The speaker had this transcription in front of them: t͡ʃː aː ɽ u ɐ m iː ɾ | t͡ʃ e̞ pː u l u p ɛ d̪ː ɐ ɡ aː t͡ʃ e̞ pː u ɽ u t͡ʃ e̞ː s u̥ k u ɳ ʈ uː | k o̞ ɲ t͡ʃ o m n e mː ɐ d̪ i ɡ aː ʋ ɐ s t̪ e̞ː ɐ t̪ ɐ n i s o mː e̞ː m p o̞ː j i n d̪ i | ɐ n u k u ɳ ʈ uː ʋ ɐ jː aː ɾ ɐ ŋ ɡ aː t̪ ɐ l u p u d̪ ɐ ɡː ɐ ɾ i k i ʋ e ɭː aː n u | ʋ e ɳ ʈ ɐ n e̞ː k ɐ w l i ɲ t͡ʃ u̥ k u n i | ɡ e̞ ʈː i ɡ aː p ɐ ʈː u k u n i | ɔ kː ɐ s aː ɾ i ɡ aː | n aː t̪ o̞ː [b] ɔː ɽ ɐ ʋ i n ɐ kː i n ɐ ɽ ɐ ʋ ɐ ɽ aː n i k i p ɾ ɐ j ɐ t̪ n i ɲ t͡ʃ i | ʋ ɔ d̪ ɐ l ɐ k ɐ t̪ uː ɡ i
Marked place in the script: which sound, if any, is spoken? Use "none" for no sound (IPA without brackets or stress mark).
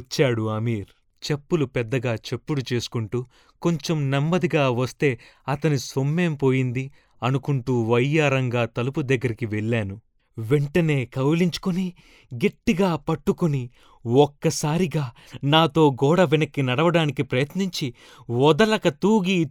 ɡ